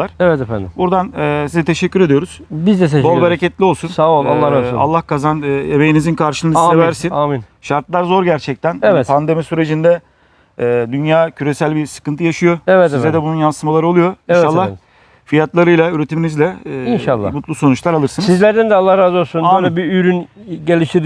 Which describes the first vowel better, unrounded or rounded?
unrounded